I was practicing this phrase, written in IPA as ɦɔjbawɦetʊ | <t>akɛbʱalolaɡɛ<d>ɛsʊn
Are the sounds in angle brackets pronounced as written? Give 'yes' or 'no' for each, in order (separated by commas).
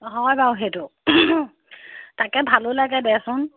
yes, yes